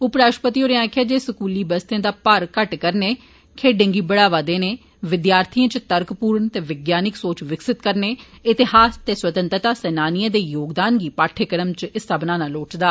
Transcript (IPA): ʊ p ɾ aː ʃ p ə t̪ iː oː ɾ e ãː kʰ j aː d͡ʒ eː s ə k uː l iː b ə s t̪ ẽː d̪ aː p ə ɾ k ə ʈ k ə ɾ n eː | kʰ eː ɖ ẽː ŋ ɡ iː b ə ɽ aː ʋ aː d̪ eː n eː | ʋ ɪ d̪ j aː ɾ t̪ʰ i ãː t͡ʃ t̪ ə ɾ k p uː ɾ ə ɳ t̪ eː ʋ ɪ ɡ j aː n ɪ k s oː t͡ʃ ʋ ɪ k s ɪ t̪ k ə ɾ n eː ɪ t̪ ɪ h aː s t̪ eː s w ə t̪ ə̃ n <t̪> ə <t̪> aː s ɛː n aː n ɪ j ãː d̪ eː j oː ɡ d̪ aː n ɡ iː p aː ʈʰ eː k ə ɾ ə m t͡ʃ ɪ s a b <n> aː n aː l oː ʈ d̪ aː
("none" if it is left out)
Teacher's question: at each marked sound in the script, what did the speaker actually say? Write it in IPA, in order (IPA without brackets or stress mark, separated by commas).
t̪, t̪, n